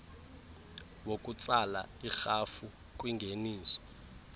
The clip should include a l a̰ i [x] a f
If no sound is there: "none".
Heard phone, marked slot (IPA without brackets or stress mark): x